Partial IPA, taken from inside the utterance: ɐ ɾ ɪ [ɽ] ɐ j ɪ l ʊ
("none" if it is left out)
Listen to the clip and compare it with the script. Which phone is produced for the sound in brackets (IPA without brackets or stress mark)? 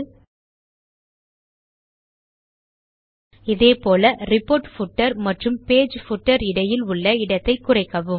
ɽ